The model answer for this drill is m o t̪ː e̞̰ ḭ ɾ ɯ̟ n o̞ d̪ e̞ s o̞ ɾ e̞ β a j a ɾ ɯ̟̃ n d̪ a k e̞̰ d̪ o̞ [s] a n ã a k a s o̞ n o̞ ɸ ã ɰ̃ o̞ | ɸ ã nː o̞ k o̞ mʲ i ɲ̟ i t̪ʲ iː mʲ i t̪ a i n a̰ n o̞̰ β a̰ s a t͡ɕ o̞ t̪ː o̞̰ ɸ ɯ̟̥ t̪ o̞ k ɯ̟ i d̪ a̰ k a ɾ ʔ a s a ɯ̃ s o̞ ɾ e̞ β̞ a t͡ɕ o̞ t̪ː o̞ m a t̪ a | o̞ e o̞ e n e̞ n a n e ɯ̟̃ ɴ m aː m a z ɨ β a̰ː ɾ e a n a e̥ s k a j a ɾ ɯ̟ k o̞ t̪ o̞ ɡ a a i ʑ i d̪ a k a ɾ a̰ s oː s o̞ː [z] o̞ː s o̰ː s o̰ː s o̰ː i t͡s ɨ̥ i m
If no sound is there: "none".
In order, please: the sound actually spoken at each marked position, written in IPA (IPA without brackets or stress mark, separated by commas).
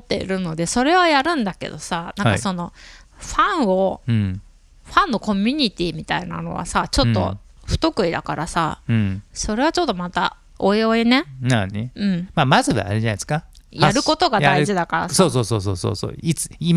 s, s